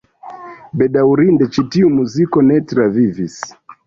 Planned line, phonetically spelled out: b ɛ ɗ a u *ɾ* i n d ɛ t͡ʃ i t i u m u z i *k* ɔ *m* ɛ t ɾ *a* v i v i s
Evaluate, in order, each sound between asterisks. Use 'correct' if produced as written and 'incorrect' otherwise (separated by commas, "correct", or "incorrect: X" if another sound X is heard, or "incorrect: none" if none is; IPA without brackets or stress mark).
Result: correct, correct, incorrect: n, correct